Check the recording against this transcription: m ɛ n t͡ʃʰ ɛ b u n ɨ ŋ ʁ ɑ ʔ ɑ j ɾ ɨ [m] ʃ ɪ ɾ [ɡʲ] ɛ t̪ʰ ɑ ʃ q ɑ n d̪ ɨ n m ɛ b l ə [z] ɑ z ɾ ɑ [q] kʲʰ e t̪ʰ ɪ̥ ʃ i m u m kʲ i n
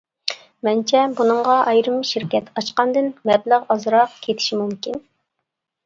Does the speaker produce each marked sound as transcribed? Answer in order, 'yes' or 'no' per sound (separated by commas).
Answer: yes, no, no, yes